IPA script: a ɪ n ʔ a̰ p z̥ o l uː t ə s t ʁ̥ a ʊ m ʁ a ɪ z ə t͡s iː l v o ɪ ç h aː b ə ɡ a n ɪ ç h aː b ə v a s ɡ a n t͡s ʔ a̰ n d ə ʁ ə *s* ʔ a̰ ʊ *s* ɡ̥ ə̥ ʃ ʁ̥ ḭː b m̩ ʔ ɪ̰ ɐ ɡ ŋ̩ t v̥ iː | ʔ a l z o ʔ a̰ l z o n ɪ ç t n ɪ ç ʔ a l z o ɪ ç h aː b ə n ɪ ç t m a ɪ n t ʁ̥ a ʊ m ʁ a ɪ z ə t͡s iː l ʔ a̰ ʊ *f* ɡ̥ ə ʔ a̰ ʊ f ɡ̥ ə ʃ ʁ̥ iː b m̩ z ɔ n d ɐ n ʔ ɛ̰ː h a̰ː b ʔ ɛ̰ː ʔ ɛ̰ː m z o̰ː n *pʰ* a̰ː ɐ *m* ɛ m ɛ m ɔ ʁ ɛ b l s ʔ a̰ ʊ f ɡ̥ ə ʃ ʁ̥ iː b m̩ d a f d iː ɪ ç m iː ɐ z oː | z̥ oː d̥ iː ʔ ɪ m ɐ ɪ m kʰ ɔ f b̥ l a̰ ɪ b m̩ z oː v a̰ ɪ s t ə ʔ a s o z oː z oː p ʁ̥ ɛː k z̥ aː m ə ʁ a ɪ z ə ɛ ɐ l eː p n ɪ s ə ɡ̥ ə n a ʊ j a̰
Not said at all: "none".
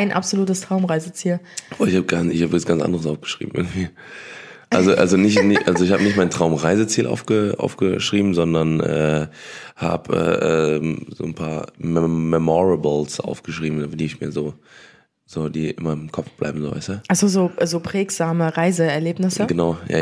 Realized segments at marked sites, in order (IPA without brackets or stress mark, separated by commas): s, f, f, pʰ, m